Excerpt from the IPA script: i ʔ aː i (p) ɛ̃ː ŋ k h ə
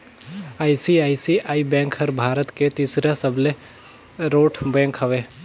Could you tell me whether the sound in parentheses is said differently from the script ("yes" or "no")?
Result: yes